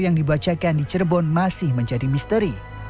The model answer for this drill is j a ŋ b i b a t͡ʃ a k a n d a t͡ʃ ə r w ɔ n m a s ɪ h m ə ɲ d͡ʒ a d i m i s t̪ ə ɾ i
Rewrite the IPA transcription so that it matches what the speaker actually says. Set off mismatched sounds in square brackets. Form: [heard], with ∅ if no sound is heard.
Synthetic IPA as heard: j a ŋ [d] i b a t͡ʃ a k a n d [i] t͡ʃ ə r [b] ɔ n m a s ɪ h m ə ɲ d͡ʒ a d i m i s t̪ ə ɾ i